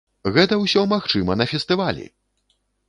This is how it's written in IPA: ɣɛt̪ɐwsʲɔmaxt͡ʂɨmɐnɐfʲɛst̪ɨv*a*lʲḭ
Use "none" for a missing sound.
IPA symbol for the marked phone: a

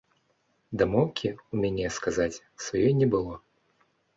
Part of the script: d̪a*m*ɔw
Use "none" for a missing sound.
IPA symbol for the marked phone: m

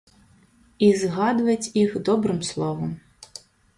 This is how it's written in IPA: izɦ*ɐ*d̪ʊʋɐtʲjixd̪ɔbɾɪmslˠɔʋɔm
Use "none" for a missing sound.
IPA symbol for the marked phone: ɑ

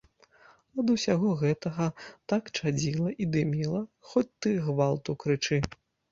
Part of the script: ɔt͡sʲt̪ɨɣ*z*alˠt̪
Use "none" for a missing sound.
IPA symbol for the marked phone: v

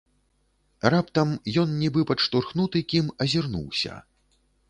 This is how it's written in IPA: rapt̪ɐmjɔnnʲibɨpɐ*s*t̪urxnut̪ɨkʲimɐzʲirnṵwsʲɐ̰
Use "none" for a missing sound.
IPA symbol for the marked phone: ʂ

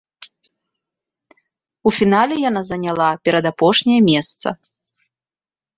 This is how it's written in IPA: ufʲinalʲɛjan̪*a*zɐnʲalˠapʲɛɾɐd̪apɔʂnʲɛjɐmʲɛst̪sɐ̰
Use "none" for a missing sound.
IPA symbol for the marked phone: a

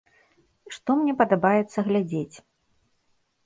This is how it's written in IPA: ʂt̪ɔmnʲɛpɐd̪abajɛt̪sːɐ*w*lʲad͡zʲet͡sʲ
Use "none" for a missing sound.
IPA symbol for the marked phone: ɣ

